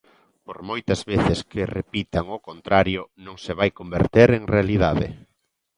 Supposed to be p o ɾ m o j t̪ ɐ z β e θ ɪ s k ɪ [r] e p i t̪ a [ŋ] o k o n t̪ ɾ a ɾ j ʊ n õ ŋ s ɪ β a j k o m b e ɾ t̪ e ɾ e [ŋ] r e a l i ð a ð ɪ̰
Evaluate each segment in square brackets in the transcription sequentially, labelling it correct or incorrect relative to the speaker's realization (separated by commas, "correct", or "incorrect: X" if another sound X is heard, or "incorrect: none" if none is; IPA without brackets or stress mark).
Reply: correct, correct, correct